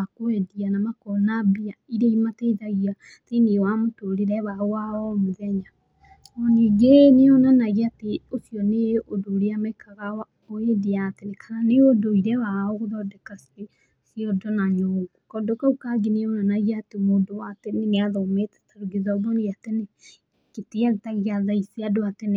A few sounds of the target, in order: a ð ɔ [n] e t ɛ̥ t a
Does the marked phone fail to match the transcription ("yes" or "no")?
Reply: yes